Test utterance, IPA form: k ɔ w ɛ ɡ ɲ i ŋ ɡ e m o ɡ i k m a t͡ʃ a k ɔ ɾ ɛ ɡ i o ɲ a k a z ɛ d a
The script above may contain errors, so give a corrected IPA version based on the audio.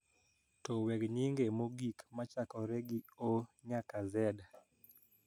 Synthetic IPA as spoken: t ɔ w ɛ ɡ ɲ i ŋ ɡ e m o ɡ i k m a t͡ʃ a k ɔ ɾ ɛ ɡ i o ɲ a k a z ɛ d a